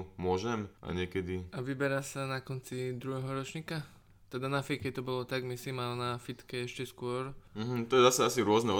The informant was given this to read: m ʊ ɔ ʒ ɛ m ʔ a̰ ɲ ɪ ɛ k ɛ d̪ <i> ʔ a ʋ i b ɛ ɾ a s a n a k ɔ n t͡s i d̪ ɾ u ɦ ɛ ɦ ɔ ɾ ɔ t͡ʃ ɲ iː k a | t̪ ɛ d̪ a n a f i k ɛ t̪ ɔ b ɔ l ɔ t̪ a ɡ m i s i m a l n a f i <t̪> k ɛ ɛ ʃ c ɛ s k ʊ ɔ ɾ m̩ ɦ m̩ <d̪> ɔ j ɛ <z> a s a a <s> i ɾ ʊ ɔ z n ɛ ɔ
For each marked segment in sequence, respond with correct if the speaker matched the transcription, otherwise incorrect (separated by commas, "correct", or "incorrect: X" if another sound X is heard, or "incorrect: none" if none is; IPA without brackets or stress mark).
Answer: correct, correct, incorrect: t̪, correct, correct